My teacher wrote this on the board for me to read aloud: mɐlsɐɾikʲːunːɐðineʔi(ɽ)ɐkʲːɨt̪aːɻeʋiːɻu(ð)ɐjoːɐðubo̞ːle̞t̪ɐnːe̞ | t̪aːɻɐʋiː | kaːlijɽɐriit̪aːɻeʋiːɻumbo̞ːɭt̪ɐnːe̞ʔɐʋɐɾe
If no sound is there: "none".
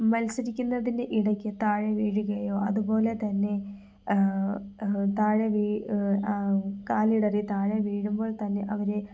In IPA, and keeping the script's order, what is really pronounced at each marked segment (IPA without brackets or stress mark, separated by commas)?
ɽ, ɣ